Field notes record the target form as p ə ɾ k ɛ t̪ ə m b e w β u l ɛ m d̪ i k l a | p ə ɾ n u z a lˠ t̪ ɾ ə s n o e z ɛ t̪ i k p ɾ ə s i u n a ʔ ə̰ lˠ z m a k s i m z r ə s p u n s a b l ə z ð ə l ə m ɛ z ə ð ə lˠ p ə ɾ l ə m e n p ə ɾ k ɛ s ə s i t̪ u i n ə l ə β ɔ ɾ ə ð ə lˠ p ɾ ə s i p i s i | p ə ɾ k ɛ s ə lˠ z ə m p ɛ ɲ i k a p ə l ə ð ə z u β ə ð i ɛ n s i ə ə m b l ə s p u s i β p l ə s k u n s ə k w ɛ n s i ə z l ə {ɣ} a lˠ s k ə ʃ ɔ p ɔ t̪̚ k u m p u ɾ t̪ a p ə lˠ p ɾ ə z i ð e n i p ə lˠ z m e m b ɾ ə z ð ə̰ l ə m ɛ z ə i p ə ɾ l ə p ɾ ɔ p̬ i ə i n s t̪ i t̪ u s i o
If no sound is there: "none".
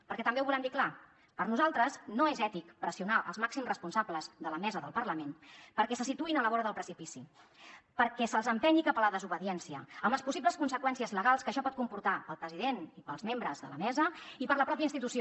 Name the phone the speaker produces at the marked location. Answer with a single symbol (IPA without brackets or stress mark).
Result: ɣ